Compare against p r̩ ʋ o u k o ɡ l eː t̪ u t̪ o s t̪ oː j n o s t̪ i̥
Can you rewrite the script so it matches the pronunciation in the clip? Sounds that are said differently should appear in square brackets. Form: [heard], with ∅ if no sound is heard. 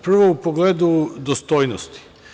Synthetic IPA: p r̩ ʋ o u [p] o ɡ l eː [d̪] u [d̪] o s t̪ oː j n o s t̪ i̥